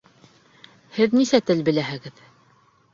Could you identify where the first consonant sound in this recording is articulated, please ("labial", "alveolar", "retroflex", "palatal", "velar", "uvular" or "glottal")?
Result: glottal